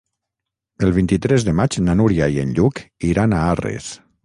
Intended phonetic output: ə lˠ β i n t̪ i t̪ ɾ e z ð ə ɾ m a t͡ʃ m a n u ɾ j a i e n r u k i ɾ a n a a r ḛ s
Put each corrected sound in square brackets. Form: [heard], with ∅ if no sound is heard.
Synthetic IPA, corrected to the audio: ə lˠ β i n t̪ i t̪ ɾ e z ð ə [∅] m a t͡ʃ [n] a n u ɾ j a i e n [ʎ] u k i ɾ a n a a r ḛ s